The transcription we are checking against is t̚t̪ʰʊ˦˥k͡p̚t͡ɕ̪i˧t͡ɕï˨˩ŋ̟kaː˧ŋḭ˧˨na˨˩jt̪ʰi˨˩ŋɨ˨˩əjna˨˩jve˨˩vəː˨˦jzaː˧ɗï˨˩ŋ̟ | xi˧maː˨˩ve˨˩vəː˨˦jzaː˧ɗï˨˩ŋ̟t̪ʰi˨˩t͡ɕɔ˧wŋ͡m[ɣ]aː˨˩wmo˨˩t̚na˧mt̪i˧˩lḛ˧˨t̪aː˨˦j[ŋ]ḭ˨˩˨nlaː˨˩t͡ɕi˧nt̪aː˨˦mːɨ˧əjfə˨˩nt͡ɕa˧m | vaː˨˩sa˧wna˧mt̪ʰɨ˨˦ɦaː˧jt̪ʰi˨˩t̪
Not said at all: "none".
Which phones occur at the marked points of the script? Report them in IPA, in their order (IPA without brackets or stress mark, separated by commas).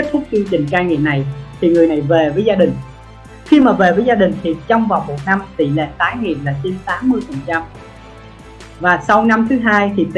v, ŋ